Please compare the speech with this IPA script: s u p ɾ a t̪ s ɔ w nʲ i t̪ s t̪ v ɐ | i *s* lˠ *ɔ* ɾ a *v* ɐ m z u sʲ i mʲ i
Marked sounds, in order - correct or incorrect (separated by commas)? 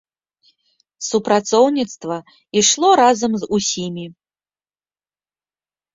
incorrect, correct, incorrect